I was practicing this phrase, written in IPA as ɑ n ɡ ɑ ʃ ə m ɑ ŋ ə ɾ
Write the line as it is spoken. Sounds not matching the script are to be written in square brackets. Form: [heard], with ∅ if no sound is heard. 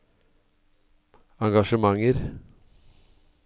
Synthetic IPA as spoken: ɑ [ŋ] ɡ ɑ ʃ ə m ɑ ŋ ə ɾ